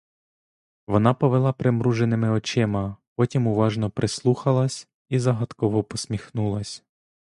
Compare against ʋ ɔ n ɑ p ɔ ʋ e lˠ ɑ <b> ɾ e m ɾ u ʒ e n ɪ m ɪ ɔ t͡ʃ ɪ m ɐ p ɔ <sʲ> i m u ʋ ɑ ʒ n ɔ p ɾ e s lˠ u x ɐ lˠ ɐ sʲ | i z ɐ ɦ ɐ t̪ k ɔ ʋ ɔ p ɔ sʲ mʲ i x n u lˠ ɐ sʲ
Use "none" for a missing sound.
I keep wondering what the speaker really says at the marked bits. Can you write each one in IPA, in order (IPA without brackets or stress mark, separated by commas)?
p, tʲ